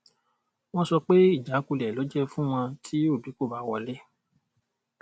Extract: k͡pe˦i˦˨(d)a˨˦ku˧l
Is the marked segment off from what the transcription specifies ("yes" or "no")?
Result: yes